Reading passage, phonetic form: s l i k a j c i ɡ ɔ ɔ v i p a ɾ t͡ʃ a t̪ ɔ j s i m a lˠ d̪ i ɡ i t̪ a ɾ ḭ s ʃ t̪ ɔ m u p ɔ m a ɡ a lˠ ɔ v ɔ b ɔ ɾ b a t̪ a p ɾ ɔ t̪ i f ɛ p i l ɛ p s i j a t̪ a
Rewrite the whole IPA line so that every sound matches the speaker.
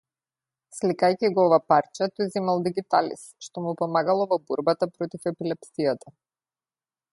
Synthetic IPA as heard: s l i k a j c i ɡ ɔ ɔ v a p a ɾ t͡ʃ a t̪ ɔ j z i m a lˠ d̪ i ɡ i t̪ a l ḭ s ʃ t̪ ɔ m u p ɔ m a ɡ a lˠ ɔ v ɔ b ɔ ɾ b a t̪ a p ɾ ɔ t̪ i f ɛ p i l ɛ p s i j a t̪ a